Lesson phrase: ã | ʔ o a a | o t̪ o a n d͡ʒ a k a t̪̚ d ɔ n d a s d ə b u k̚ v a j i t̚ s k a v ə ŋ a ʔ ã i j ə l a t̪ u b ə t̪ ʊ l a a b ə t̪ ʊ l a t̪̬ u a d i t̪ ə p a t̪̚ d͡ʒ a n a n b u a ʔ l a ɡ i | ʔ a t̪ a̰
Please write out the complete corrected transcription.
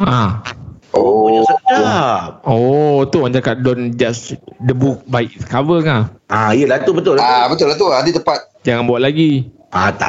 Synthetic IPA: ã | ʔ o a a | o t̪ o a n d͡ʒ a k a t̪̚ d ɔ n d͡ʒ a s d ə b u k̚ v a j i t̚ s k a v ə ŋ a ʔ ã i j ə l a t̪ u b ə t̪ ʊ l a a b ə t̪ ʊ l a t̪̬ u a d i t̪ ə p a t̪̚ d͡ʒ a ŋ a n b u a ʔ l a ɡ i | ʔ a t̪ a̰